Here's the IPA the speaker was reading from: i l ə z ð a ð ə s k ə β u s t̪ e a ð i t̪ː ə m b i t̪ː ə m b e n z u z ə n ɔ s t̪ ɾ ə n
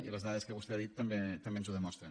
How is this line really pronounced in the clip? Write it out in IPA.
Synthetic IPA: i l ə z ð a ð ə s k ə β u s t̪ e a ð i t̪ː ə m b e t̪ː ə m b e n z u ð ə m ɔ s t̪ ɾ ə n